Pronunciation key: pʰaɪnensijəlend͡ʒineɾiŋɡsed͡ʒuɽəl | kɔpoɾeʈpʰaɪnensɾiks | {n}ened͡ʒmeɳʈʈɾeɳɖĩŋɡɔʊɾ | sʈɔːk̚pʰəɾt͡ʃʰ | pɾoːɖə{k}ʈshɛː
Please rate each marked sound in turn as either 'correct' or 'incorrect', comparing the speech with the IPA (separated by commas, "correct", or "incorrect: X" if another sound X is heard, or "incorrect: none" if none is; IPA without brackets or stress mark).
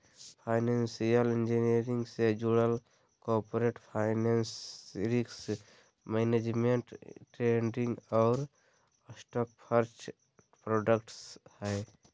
incorrect: m, correct